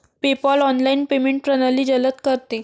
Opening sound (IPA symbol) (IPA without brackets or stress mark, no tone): p